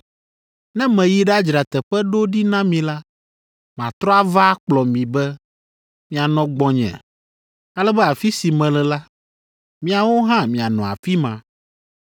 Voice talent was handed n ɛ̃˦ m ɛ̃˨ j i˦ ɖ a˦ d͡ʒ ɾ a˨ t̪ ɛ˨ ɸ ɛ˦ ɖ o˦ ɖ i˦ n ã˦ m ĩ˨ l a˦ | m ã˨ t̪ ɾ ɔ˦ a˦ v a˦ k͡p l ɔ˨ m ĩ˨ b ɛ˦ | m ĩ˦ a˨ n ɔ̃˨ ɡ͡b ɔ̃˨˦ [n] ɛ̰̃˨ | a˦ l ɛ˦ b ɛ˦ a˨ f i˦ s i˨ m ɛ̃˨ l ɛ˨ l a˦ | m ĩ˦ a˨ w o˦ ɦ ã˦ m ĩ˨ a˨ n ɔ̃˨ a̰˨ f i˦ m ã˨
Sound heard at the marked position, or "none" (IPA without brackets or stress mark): ɲ